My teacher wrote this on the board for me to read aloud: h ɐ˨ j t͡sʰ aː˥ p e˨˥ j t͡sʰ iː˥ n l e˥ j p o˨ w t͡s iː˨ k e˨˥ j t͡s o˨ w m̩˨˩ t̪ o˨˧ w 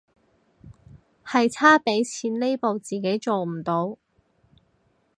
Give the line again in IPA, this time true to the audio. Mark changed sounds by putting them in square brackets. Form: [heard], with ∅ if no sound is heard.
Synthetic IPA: h ɐ˨ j t͡sʰ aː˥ p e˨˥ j t͡sʰ [iː˨˥] n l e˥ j p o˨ w t͡s iː˨ k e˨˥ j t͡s o˨ w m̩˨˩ t̪ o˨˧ w